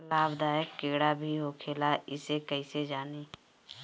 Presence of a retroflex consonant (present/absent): present